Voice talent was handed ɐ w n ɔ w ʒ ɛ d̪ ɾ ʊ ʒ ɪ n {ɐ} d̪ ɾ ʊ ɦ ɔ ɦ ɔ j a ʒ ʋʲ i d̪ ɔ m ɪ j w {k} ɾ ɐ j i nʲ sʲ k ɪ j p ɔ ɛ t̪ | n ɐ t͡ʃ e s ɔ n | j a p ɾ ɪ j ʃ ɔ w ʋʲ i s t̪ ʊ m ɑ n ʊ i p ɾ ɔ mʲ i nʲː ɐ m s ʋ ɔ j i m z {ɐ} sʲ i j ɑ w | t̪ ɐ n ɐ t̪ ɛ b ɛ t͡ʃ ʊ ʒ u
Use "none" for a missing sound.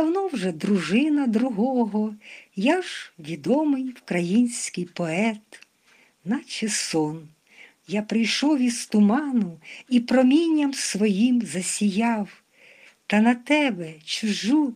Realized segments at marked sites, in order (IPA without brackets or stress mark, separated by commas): ɐ, k, ɐ